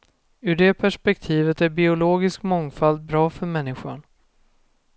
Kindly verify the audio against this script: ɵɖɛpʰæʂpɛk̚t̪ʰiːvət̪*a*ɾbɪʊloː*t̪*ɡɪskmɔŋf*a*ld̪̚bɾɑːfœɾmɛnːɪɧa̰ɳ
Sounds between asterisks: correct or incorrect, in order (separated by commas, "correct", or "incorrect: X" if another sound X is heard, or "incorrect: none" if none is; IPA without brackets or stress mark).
incorrect: æ, incorrect: none, correct